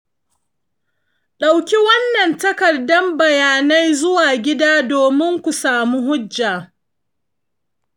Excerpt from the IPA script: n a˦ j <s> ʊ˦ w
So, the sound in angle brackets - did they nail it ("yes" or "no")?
no